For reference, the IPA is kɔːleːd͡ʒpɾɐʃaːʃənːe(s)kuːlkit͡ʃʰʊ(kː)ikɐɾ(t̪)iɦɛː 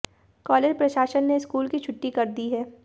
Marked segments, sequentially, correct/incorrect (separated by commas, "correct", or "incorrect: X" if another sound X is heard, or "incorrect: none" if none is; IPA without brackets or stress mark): correct, incorrect: ʈː, incorrect: d̪